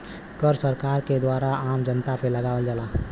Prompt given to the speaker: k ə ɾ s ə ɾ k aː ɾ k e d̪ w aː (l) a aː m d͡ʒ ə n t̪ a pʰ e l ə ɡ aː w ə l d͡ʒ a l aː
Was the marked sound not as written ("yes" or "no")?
yes